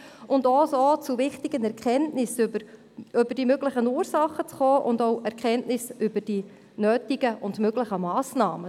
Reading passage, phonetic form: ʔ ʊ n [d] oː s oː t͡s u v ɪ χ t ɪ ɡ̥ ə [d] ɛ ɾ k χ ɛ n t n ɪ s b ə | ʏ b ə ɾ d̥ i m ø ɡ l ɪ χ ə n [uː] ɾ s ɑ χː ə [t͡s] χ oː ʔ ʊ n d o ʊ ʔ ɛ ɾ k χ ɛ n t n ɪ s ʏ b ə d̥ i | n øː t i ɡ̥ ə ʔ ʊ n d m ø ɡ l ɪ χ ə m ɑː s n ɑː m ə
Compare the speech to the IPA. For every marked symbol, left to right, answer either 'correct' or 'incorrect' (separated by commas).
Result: correct, incorrect, correct, correct